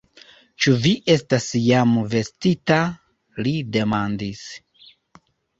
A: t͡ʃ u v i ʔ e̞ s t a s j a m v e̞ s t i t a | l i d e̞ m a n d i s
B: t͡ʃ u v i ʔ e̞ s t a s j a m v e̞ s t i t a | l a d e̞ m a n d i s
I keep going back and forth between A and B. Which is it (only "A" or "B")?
A